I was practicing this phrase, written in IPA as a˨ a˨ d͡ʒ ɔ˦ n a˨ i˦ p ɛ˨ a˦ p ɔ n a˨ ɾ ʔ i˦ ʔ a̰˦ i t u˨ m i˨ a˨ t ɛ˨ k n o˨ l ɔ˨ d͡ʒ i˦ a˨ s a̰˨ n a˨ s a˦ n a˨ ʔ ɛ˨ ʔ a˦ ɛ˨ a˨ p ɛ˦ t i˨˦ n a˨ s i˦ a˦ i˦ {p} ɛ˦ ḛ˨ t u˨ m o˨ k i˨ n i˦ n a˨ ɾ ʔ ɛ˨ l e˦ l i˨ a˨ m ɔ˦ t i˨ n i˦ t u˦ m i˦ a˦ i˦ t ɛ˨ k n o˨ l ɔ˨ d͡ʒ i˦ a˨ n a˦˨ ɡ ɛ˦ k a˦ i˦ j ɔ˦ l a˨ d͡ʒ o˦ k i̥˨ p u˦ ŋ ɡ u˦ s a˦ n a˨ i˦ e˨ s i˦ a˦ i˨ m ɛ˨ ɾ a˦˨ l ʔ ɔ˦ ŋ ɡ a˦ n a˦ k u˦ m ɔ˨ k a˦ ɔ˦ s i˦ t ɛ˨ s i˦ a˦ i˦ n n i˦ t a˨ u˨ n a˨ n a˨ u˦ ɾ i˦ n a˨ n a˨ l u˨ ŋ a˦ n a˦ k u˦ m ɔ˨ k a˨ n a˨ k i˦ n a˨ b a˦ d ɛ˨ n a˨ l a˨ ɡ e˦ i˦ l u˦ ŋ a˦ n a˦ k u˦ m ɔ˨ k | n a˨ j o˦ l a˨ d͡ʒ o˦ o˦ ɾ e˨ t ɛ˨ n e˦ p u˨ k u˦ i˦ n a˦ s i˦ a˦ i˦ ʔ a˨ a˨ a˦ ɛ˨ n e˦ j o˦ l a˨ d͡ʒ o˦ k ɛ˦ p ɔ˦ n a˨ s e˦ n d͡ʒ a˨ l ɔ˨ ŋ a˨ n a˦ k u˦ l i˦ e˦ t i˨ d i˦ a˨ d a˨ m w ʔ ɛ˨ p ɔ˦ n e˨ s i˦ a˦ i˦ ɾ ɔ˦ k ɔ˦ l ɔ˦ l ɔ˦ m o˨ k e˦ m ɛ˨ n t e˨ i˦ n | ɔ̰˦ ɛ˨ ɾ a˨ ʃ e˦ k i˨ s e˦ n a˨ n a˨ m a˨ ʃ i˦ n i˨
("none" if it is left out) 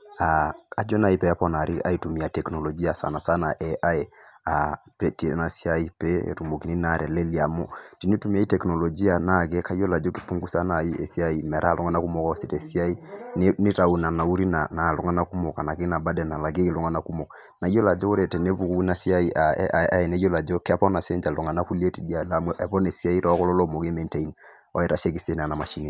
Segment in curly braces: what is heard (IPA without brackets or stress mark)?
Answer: p